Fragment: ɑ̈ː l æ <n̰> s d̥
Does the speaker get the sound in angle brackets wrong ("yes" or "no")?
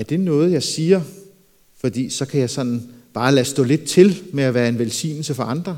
yes